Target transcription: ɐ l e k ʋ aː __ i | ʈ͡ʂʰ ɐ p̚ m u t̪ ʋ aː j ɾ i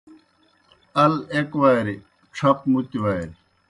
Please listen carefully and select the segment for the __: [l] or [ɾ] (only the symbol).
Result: ɾ